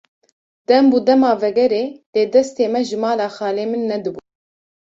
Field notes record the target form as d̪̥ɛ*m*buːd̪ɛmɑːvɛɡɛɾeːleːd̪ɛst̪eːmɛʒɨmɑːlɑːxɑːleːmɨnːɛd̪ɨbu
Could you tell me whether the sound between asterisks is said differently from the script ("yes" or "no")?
no